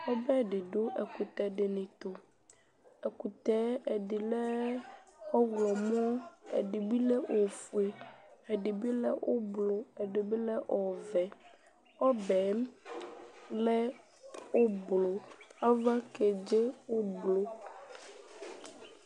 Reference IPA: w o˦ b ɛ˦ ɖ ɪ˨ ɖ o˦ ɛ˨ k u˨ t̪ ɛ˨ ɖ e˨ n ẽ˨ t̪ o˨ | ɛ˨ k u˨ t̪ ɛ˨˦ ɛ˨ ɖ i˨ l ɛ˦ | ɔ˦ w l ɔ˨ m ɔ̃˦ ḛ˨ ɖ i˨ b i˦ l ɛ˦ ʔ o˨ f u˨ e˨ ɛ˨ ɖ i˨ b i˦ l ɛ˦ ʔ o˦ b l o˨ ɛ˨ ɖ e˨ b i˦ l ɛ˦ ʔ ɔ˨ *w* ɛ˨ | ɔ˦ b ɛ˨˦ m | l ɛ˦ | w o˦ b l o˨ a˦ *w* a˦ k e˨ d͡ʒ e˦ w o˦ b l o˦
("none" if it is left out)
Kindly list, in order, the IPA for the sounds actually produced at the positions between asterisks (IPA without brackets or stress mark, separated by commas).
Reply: v, v